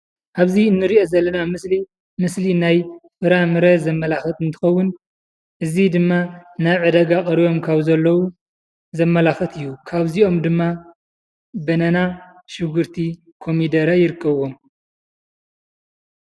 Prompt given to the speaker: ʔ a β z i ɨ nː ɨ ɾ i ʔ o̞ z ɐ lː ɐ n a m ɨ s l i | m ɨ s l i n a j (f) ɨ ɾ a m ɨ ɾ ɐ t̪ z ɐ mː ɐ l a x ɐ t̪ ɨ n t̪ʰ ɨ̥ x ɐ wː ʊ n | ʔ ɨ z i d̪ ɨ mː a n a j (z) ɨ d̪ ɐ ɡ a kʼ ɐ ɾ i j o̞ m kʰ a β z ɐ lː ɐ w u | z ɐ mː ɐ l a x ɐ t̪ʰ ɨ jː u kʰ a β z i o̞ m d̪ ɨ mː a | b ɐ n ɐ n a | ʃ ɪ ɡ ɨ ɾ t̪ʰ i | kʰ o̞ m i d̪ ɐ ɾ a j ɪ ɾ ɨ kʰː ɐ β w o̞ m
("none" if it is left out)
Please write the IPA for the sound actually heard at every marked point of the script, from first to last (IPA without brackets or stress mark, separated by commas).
f, ʕ